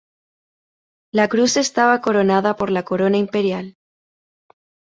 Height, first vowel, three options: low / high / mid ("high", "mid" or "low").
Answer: low